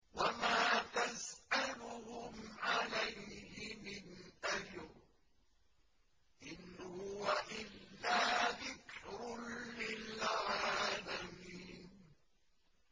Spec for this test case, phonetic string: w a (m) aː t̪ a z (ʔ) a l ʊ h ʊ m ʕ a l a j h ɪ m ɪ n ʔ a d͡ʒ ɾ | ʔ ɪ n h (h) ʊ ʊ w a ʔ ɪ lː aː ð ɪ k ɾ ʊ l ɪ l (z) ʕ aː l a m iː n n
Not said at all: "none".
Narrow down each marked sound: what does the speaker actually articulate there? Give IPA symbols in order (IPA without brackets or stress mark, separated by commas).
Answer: m, ʔ, h, ʕ